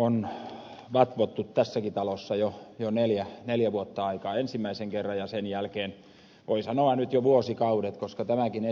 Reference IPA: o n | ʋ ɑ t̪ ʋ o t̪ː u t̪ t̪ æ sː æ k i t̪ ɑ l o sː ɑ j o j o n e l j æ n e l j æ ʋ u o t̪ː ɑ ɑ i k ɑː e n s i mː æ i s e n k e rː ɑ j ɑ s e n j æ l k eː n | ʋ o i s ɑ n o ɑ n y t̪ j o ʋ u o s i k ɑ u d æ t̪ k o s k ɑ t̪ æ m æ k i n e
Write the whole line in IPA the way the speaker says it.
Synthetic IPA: o n | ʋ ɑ t̪ ʋ o t̪ː u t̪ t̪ æ sː æ k i t̪ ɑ l o sː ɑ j o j o n e l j æ n e l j æ ʋ u o t̪ː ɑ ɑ i k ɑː e n s i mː æ i s e ŋ k e rː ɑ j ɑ s e n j æ l k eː n | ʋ o i s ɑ n o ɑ n y t̪ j o ʋ u o s i k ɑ u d e t̪ k o s k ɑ t̪ æ m æ k i n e

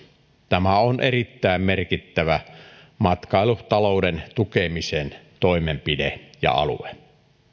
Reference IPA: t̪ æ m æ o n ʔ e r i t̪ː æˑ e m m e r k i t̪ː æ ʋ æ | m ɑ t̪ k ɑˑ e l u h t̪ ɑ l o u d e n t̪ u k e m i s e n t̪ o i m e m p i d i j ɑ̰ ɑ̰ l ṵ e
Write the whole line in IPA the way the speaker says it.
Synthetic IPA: t̪ æ m æ o n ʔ e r i t̪ː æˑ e m m e r k i t̪ː æ ʋ æ | m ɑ t̪ k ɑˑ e l u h t̪ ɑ l o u d e n t̪ u k e m i s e n t̪ o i m e m p i d e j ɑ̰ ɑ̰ l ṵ e

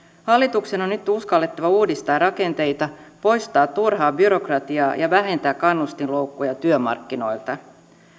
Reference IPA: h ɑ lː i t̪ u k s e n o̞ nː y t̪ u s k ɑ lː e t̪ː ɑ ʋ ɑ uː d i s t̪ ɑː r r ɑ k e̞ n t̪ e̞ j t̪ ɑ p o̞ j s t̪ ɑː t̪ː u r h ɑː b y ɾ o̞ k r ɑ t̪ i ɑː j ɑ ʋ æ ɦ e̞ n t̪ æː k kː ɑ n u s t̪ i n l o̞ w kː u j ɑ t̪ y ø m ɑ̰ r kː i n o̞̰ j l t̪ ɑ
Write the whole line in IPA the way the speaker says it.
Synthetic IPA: h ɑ lː i t̪ u k s e n o̞ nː y t̪ u s k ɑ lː e t̪ː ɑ ʋ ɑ uː d i s t̪ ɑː r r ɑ k e̞ n t̪ e̞ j t̪ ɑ p o̞ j s t̪ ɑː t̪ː u r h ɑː b y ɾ o̞ k r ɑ t̪ i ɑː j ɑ ʋ æ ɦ e̞ n t̪ æː k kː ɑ nː u s t̪ i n l o̞ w kː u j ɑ t̪ y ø m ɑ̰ r kː i n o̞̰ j l t̪ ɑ

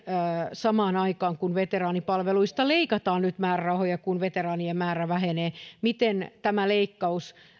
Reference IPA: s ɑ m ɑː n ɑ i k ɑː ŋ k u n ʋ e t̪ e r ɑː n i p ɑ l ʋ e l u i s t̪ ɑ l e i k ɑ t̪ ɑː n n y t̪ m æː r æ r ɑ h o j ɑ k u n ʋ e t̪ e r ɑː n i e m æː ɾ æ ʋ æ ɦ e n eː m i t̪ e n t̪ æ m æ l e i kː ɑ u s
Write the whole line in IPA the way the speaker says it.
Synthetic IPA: s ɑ m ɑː n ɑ i k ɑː ŋ k u n ʋ e t̪ e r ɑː n i p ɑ l ʋ e l u i s t̪ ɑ l e i k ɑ t̪ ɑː n n y t̪ m æː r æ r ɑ h o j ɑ k u n ʋ e t̪ e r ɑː n i e m æː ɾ æ ʋ æ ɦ e n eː m i t̪ e n t̪ æ m æ l e i kː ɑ u s

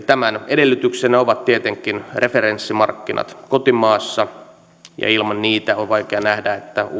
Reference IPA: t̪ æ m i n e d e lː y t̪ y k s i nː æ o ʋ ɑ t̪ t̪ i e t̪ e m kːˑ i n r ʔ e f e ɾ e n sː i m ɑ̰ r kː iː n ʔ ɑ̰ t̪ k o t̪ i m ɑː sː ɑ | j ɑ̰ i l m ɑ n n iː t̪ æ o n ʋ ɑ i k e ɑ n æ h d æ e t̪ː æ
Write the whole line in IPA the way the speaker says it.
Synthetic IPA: t̪ æ m æ n e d e lː y t̪ y k s e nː æ o ʋ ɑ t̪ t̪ i e t̪ e ŋ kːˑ i n r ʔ e f e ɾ e n sː i m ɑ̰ r kː i n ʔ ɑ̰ t̪ k o t̪ i m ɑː sː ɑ | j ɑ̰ i l m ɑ n n iː t̪ æ o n ʋ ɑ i k e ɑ n æ h d æ e t̪ː æ

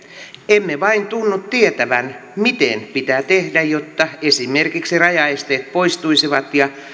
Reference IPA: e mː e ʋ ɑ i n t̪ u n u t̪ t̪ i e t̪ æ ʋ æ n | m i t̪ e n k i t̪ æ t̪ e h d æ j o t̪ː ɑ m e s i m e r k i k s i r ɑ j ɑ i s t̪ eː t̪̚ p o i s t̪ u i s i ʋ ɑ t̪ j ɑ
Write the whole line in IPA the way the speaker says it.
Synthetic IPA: e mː e ʋ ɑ i n t̪ u nː u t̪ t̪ i e t̪ æ ʋ æ n | m i t̪ e n p i t̪ æ t̪ e h d æ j o t̪ː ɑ e s i m e r k i k s i r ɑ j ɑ e s t̪ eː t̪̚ p o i s t̪ u i s i ʋ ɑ t̪ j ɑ

